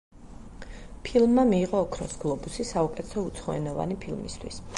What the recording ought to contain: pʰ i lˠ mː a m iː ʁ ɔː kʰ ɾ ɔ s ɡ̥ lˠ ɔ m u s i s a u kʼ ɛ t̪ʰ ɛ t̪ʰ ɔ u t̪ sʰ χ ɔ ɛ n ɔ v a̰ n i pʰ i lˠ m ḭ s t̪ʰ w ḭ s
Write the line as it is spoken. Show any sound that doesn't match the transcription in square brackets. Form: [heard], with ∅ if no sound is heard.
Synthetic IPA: pʰ i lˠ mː a m iː ʁ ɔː kʰ ɾ ɔ s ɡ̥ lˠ ɔ [b] u s i s a u kʼ ɛ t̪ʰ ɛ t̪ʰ ɔ u t̪ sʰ χ ɔ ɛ n ɔ v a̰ n i pʰ i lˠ m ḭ s t̪ʰ w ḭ s